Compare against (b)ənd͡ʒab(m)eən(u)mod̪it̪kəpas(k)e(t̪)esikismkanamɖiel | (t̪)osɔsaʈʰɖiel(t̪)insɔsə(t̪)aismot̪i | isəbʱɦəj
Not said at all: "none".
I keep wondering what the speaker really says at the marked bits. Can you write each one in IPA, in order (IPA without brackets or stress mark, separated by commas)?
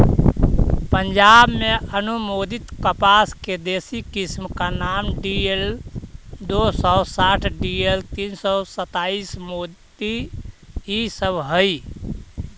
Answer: p, m, u, k, d̪, d̪, t̪, t̪